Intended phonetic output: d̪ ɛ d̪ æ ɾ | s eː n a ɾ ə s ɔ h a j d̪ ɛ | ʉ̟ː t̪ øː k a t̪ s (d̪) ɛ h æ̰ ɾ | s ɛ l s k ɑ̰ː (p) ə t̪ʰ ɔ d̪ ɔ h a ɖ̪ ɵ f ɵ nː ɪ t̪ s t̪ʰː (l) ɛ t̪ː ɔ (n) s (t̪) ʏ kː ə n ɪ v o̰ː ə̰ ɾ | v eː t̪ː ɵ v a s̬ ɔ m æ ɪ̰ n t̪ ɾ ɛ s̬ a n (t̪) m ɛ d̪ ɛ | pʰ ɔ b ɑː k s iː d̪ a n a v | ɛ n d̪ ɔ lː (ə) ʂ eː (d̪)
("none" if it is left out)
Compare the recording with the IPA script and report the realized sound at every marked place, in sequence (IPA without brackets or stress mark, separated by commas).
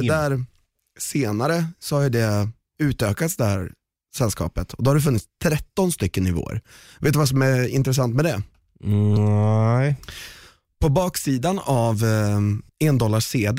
d̪, p, ɾ, n, t̪, t̪, a, d̪